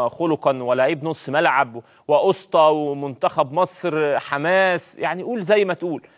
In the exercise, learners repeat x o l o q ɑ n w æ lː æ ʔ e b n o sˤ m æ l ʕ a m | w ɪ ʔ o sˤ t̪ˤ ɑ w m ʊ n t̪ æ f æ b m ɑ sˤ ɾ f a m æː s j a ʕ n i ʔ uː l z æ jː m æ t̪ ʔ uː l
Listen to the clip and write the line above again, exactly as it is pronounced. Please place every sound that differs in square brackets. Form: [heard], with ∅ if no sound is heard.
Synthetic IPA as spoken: x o l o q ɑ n w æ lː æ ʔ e b n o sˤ m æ l ʕ a [b] | w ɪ ʔ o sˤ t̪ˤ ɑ w m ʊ n t̪ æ [x] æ b m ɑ sˤ ɾ [ħ] a m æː s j a ʕ n i ʔ uː l z æ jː m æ t̪ ʔ uː l

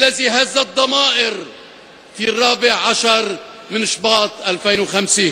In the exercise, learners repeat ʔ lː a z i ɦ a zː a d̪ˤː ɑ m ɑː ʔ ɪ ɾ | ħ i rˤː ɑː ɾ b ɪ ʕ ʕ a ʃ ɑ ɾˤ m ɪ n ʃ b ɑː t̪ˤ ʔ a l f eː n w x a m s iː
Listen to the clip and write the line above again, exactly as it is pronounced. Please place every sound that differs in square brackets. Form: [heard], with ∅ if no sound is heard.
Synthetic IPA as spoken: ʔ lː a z i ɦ a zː a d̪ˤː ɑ m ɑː ʔ ɪ ɾ | [f] i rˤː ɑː [∅] b ɪ ʕ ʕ a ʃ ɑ ɾˤ m ɪ n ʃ b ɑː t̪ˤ ʔ a l f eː n w x a m s iː

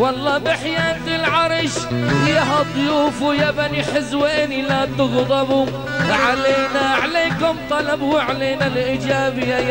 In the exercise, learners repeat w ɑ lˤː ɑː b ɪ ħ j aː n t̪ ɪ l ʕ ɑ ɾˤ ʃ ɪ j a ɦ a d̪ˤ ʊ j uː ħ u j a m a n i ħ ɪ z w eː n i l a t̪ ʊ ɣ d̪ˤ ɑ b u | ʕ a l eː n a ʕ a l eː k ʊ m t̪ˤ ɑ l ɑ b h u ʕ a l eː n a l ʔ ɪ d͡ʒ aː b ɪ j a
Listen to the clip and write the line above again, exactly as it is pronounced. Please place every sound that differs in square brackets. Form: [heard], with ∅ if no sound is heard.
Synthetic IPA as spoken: w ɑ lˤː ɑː b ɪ ħ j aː n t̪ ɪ l ʕ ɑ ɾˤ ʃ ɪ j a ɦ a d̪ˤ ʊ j uː [f] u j a [b] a n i ħ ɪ z w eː n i l a t̪ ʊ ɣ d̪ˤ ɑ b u | ʕ a l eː n a ʕ a l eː k ʊ m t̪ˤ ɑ l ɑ b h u ʕ a l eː n a l ʔ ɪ d͡ʒ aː b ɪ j a

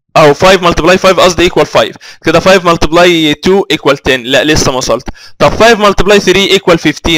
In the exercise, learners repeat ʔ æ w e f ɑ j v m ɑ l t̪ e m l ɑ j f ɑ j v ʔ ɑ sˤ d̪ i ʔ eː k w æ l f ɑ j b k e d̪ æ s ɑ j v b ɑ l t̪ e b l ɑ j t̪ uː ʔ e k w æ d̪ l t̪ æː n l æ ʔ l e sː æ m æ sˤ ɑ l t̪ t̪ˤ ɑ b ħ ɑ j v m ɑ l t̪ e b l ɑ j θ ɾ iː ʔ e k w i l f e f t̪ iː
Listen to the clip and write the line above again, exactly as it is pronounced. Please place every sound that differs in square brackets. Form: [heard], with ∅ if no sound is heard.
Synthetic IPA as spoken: ʔ æ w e f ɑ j v m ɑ l t̪ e [b] l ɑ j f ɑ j v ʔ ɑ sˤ d̪ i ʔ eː k w æ l f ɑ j [v] k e d̪ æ [f] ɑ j v [m] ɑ l t̪ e b l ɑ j t̪ uː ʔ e k w æ [∅] l t̪ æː n l æ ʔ l e sː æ m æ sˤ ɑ l t̪ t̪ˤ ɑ b [f] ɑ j v m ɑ l t̪ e b l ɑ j θ ɾ iː ʔ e k w [æ] l f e f t̪ iː

